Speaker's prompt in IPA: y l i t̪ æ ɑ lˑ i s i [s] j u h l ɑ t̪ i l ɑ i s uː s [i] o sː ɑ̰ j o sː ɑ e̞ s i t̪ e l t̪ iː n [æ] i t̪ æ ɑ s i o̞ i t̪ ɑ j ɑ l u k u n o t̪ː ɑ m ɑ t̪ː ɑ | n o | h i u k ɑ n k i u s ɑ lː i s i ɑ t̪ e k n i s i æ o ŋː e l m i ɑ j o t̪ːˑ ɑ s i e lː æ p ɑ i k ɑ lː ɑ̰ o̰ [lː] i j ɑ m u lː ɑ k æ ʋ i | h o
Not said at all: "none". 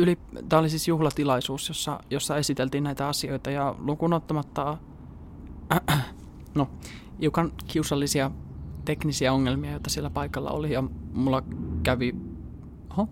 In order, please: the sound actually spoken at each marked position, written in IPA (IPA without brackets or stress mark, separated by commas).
s, j, æ, l